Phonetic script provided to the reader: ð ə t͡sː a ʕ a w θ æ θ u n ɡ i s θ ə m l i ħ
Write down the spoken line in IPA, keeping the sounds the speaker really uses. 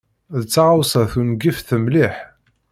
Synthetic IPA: ð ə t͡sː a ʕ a w s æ θ u n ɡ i f θ ə m l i ħ